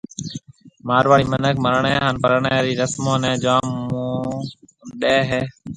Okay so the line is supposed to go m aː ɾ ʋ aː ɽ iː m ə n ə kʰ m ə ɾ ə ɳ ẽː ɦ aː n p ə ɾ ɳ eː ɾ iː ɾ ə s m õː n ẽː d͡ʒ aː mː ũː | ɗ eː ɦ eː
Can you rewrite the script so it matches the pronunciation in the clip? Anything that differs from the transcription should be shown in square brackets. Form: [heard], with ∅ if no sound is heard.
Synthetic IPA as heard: m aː ɾ ʋ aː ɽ iː m ə n ə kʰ m ə ɾ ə ɳ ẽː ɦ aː n p ə ɾ ɳ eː ɾ iː ɾ ə s m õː n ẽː d͡ʒ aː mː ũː | ɗ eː ɦ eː